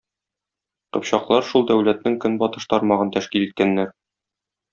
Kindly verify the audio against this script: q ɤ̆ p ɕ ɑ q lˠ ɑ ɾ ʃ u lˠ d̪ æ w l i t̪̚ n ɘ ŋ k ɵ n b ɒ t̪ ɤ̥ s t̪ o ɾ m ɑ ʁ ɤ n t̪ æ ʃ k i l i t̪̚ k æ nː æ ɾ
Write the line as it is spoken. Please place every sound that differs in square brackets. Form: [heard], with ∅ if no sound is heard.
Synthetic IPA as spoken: q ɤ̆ p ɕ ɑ q lˠ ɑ ɾ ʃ u lˠ d̪ æ w l [æ] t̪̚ n ɘ ŋ k ɵ n b ɒ t̪ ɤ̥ [ʃ] t̪ [ɒ] ɾ m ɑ ʁ ɤ n t̪ æ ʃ k i l i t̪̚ k æ nː æ ɾ